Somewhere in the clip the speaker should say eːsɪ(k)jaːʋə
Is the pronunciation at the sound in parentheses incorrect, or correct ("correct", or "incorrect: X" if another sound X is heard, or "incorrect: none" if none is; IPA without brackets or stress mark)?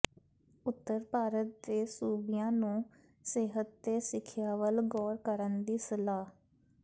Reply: incorrect: kʰ